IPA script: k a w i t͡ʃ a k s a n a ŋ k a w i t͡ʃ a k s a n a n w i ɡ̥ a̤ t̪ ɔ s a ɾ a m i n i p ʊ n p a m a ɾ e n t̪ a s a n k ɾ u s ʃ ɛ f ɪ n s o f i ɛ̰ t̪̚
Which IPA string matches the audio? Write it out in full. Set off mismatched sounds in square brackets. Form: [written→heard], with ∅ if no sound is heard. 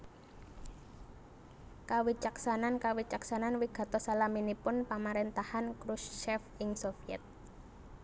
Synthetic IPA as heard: k a w i t͡ʃ a k s a n a [ŋ→n] k a w i t͡ʃ a k s a n a n w i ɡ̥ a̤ t̪ ɔ s a [ɾ→l] a m i n i p ʊ n p a m a ɾ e n t̪ a [s→h] a n k ɾ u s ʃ ɛ f ɪ [n→ŋ] s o f i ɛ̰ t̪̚